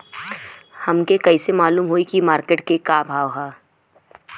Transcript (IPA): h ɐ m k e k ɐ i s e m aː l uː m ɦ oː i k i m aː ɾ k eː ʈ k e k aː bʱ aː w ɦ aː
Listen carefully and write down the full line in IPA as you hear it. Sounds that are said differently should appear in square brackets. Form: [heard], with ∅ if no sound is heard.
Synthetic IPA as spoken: h ɐ m k e k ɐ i s e m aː l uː m ɦ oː i k i m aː ɾ k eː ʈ k e k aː bʱ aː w ɦ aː